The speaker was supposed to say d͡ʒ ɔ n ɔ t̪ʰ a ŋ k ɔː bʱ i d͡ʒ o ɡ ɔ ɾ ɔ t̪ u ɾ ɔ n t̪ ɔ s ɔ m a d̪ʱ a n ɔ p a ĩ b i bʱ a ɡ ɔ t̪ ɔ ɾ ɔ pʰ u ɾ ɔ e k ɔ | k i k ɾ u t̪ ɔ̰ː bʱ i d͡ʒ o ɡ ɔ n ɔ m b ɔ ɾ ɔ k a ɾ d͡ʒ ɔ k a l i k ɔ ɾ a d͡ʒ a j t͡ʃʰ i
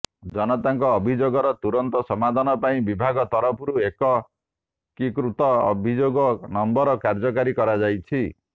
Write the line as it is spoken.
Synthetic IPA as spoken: d͡ʒ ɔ n ɔ t̪ a ŋ k ɔː bʱ i d͡ʒ o ɡ ɔ ɾ ɔ t̪ u ɾ ɔ n t̪ ɔ s ɔ m a d̪ʱ a n ɔ p a ĩ b i bʱ a ɡ ɔ t̪ ɔ ɾ ɔ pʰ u ɾ u e k ɔ | k i k ɾ u t̪ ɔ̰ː bʱ i d͡ʒ o ɡ ɔ n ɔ m b ɔ ɾ ɔ k a ɾ d͡ʒ ɔ k a ɾ i k ɔ ɾ a d͡ʒ a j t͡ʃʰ i